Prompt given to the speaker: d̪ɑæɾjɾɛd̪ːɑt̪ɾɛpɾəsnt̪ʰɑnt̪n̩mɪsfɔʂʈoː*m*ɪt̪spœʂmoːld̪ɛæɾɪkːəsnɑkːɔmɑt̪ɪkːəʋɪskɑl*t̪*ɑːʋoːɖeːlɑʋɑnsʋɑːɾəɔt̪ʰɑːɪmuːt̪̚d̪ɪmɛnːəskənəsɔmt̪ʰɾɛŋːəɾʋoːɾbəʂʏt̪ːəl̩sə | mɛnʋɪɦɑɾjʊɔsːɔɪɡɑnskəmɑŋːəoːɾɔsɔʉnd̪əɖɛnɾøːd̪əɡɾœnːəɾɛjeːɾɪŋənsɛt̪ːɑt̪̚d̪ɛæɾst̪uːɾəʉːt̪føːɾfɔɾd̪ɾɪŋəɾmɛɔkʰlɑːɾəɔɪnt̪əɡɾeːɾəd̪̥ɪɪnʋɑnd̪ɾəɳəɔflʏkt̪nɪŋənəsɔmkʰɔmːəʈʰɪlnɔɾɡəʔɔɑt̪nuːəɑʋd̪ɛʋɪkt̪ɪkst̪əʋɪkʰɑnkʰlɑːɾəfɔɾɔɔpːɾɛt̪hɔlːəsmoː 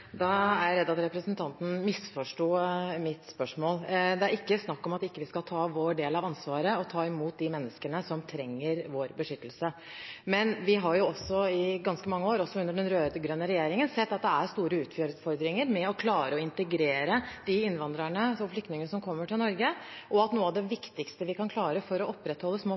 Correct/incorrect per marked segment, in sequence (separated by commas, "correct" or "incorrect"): correct, incorrect